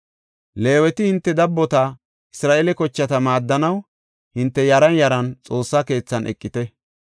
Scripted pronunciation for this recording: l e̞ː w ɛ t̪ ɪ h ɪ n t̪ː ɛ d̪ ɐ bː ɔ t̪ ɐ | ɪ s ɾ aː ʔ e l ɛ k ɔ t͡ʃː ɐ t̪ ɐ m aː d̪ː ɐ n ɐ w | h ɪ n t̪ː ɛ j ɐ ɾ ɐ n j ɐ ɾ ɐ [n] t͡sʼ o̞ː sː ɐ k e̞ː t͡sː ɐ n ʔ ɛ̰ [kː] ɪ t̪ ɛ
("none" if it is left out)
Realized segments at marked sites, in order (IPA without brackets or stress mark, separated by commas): n, kʼː